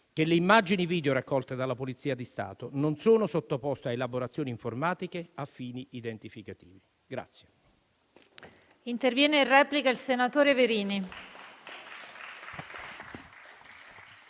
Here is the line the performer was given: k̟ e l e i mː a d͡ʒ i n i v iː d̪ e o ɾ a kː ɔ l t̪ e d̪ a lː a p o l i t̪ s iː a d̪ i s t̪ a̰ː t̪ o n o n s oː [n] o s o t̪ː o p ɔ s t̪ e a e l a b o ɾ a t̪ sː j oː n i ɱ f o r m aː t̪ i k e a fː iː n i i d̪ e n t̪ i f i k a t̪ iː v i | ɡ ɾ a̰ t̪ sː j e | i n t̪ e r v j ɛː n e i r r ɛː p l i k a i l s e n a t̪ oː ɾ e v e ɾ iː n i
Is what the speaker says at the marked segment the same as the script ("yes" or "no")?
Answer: yes